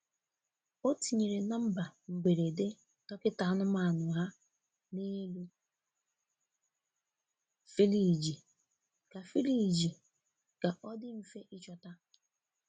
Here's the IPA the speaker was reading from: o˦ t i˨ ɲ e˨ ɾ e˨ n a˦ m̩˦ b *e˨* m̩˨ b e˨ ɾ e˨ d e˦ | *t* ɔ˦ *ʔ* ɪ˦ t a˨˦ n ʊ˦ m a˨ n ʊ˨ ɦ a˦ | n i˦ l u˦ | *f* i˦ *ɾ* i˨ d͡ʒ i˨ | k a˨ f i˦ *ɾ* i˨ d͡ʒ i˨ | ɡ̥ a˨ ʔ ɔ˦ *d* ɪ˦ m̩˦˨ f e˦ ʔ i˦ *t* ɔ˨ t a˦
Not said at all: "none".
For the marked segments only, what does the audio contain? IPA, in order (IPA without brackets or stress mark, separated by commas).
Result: a˨, t, k, f, l, l, d, t͡ʃ